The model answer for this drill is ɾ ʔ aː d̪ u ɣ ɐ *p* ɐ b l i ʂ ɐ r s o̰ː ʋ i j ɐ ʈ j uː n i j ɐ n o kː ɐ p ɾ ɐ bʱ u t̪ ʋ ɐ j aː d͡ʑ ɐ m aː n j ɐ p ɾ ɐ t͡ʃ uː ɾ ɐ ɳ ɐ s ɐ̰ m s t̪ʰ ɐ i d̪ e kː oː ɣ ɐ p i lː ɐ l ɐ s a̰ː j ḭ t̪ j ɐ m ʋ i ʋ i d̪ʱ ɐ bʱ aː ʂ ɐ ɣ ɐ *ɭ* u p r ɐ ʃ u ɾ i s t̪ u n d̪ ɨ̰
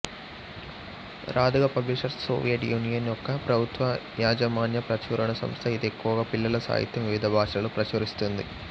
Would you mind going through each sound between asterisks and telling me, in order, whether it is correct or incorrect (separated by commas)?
correct, correct